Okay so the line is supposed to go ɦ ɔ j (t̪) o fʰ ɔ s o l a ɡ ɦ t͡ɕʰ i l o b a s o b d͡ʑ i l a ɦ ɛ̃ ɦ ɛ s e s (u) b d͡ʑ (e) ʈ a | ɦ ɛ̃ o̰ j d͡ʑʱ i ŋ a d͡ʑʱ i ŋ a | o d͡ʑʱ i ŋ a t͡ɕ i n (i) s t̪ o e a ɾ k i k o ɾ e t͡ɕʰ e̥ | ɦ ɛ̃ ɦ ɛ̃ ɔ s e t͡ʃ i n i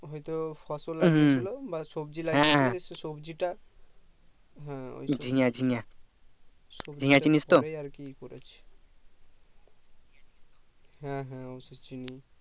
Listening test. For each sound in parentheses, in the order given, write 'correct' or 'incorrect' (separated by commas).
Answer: correct, incorrect, incorrect, correct